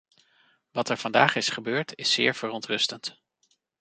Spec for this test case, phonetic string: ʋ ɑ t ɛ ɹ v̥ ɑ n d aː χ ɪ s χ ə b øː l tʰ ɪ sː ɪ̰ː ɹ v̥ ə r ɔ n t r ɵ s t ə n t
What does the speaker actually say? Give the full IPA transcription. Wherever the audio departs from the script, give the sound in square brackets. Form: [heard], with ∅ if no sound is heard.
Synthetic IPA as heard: ʋ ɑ t ɛ ɹ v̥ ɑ n d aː χ ɪ s χ ə b øː [ɹ] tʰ ɪ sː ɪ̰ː ɹ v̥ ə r ɔ n t r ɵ s t ə n t